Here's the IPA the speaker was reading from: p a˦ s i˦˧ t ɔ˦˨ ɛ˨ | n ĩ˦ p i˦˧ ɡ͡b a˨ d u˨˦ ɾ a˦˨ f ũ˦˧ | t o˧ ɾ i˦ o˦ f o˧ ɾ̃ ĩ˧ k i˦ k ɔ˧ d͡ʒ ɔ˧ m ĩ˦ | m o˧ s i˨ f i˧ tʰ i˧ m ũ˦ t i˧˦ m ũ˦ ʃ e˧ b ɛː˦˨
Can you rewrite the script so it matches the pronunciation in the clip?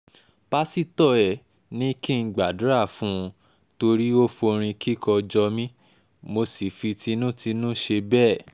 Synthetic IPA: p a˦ s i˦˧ t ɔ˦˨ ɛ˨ | n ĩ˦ k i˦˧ ɡ͡b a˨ d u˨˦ ɾ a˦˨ f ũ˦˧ | t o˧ ɾ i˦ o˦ f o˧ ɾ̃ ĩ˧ k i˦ k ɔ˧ d͡ʒ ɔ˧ m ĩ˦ | m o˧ s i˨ f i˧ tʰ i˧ n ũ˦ t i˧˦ n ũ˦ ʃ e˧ b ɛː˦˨